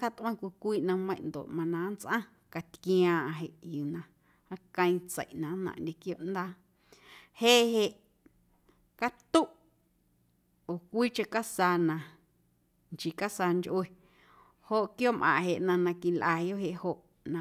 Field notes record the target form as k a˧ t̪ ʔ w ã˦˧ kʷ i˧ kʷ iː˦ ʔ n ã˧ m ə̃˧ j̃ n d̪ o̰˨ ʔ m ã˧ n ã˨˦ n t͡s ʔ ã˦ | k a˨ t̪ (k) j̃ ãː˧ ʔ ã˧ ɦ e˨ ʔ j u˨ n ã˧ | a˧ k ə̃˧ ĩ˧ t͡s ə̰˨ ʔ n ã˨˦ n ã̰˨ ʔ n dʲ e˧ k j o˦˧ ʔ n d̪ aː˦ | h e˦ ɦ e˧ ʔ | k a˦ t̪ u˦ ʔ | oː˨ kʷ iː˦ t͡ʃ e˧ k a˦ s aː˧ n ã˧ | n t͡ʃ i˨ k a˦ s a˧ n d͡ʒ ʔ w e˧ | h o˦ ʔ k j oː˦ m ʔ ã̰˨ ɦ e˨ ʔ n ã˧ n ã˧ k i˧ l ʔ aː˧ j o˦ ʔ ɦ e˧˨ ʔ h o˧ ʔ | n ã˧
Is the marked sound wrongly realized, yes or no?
no